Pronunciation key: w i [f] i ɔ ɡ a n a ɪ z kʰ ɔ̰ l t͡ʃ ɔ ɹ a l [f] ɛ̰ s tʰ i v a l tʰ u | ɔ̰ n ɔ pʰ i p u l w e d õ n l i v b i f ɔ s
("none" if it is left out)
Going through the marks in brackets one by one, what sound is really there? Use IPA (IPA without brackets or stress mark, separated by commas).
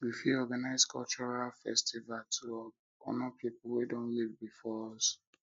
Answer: f, f